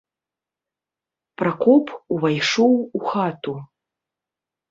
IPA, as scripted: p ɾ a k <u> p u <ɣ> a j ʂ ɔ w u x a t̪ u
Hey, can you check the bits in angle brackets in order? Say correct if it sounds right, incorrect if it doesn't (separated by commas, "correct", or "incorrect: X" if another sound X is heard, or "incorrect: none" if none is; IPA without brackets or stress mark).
incorrect: ɔ, incorrect: v